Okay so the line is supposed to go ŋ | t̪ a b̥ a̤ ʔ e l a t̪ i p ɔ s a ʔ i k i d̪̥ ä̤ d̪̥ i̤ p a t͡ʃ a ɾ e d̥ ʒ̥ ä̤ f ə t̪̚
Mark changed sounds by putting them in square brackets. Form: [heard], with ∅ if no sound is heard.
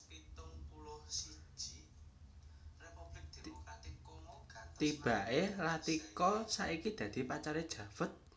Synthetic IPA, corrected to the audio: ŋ | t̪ [i] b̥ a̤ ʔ e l a t̪ i [k] ɔ s a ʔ i k i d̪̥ ä̤ d̪̥ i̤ p a t͡ʃ a ɾ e d̥ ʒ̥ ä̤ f ə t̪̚